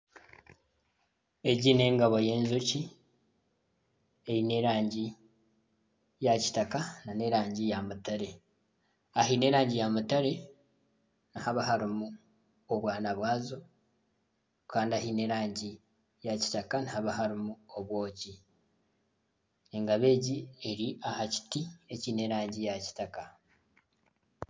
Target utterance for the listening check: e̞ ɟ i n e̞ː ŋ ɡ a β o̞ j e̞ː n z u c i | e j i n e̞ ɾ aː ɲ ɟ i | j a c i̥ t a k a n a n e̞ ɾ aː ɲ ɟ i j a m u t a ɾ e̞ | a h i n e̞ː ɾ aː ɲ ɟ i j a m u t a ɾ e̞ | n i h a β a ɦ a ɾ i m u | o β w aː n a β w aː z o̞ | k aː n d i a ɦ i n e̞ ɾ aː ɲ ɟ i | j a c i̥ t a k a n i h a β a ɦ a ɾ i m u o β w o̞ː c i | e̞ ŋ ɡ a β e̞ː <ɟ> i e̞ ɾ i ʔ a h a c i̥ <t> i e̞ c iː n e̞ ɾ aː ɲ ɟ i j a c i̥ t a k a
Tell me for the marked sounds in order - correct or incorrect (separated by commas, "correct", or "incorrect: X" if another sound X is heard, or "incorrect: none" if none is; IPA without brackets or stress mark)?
correct, correct